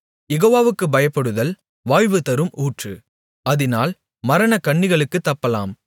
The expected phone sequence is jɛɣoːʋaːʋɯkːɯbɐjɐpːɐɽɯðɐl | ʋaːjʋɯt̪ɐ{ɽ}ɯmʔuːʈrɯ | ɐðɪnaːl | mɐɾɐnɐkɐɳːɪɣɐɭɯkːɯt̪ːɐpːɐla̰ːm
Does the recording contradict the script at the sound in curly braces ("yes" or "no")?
yes